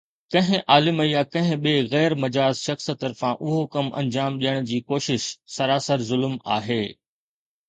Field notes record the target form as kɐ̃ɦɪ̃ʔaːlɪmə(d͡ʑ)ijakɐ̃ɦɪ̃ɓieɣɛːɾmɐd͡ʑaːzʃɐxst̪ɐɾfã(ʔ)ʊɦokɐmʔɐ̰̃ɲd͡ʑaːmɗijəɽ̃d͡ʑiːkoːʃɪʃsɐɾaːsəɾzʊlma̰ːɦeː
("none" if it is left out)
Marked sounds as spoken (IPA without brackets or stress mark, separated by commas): none, ʔ